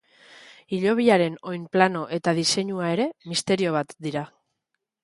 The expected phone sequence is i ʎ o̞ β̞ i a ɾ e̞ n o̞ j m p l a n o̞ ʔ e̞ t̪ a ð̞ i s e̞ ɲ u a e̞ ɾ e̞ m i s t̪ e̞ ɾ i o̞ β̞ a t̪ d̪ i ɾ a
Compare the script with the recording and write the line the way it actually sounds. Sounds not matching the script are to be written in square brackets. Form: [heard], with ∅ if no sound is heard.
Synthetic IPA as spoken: i ʎ o̞ β̞ i a ɾ e̞ n o̞ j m p l a n o̞ ʔ e̞ t̪ a ð̞ i s e̞ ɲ u a e̞ ɾ e̞ m i s t̪ e̞ ɾ i o̞ β̞ a t̪ d̪ i ɾ a